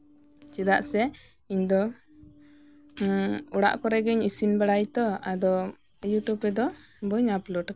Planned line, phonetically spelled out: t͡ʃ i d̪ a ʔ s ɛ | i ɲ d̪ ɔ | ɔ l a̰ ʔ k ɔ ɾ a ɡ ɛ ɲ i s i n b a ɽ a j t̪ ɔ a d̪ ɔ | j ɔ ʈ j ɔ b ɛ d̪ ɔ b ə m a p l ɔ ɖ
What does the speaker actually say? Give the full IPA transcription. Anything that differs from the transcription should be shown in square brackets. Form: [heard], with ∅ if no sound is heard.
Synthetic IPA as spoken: t͡ʃ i d̪ a ʔ s ɛ | i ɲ d̪ ɔ | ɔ [ɽ] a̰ ʔ k ɔ ɾ [ɛ] ɡ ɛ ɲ i s i n b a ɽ a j t̪ ɔ a d̪ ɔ | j [u] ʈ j [u] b ɛ d̪ ɔ b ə [ɲ] a p l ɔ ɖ